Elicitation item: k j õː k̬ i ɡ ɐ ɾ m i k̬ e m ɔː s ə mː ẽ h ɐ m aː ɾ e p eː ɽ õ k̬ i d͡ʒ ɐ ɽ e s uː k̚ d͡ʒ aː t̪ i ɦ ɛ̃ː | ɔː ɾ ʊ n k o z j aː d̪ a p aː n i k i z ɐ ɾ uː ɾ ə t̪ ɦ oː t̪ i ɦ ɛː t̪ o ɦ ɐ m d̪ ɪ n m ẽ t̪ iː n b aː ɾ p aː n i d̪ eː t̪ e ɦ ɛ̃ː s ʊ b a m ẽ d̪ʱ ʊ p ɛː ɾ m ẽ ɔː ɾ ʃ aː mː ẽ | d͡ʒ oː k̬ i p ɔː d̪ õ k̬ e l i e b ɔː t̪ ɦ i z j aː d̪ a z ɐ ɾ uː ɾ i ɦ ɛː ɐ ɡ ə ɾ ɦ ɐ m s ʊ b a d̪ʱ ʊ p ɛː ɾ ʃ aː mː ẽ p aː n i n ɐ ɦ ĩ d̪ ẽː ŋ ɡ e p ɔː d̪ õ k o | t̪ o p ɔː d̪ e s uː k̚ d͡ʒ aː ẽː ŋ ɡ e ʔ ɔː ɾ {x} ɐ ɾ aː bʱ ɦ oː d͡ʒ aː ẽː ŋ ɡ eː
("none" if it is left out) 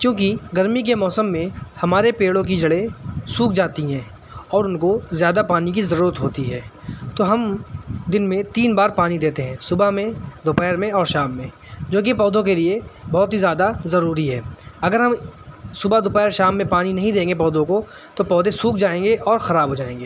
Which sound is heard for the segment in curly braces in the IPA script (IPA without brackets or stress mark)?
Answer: x